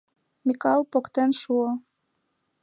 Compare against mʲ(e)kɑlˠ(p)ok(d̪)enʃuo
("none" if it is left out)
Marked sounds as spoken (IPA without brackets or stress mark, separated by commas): i, p, t̪